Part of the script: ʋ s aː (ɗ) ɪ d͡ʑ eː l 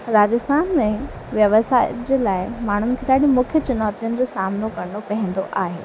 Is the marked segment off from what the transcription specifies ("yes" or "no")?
yes